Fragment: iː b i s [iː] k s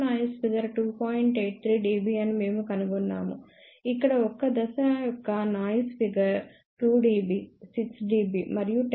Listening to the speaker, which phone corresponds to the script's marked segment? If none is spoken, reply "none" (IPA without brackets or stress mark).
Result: i